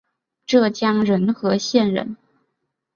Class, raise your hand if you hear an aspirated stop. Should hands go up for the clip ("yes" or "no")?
no